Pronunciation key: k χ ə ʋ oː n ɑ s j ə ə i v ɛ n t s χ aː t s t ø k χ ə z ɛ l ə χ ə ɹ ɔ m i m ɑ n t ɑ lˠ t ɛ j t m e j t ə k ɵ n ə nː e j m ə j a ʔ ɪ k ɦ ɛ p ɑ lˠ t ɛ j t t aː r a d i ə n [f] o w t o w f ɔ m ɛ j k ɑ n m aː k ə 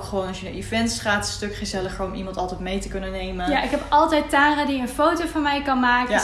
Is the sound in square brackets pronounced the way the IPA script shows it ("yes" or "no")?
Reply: yes